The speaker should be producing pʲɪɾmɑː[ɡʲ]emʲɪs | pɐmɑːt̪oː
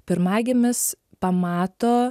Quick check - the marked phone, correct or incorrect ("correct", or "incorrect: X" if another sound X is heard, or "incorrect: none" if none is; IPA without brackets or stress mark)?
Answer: correct